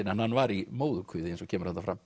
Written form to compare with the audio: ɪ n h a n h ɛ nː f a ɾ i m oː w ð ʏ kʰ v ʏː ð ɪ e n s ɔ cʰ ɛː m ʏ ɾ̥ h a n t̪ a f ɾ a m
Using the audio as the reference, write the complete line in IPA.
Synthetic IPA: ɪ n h a n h a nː v a ɾ i m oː w ð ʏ kʰ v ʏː ð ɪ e n s ɔ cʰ ɛː m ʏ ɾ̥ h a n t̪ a f ɾ a m